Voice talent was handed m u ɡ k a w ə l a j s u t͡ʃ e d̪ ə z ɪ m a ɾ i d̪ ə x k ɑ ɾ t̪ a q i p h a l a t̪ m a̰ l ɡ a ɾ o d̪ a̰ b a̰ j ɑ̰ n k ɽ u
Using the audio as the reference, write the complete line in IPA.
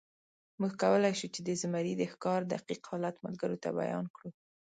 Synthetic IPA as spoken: m u ɡ k a w ə l a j ʃ u t͡ʃ e d̪ ə z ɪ m a ɾ i d̪ ə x k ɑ ɾ d̪ a q i q h ɑ l a t̪ m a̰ l ɡ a ɾ o t̪ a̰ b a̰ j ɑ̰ n k ɽ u